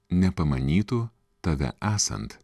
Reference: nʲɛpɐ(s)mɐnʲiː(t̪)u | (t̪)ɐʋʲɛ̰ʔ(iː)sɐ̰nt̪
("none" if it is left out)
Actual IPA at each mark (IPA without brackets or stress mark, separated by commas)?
none, t̪, t̪, æː